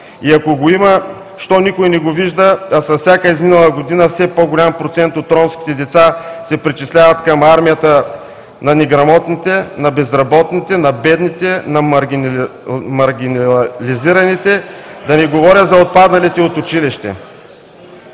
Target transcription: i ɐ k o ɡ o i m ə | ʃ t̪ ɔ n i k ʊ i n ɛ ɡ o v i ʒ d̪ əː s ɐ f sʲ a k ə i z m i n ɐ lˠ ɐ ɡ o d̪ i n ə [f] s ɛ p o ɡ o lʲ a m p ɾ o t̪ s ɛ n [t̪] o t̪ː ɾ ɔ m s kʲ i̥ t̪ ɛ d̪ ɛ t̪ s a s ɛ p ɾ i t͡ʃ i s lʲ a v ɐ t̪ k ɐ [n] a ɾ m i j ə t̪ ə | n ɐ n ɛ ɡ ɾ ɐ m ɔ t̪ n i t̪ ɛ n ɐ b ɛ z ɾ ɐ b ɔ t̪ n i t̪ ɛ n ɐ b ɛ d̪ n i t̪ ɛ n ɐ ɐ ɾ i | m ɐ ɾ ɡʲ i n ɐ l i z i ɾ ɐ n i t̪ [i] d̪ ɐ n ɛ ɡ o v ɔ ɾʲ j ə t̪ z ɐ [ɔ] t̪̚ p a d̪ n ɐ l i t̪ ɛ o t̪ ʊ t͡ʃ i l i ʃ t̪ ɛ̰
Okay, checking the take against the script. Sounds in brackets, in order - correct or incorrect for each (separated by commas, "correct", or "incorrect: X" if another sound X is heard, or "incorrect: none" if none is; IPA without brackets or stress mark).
correct, correct, incorrect: m, incorrect: ɛ, incorrect: o